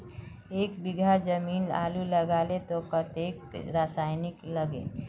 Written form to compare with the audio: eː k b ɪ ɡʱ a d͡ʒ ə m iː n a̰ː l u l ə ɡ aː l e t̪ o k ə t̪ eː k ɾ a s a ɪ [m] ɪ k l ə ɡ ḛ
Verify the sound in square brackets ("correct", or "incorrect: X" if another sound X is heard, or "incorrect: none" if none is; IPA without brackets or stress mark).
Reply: incorrect: n